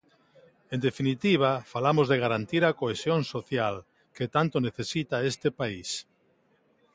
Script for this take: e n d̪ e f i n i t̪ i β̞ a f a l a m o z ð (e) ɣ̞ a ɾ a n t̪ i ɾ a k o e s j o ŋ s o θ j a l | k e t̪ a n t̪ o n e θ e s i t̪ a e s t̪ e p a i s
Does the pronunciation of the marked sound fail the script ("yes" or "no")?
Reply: no